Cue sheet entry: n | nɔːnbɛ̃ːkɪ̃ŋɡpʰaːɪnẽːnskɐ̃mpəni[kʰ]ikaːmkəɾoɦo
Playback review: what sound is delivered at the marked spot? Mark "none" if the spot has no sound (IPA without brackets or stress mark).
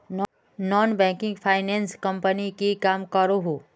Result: k